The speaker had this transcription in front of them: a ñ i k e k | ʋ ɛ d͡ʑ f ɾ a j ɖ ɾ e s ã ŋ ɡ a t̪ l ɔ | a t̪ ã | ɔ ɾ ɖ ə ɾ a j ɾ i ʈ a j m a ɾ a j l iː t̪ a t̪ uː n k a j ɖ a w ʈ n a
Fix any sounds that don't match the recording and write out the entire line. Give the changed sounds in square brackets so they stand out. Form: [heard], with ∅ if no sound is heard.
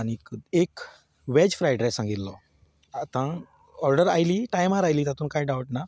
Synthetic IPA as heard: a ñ i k e k | ʋ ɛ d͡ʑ f ɾ a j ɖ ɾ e s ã ŋ ɡ [i] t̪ l ɔ | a t̪ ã | ɔ ɾ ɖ ə ɾ a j [l] i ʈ a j m a ɾ a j l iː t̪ a t̪ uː n k a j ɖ a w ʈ n a